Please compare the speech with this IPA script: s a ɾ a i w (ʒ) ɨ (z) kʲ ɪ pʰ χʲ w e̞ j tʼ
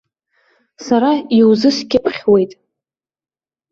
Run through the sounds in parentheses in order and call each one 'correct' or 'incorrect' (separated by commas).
incorrect, incorrect